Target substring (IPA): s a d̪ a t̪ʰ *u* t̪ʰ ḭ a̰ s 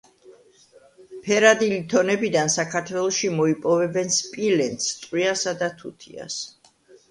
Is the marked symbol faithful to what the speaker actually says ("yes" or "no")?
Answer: yes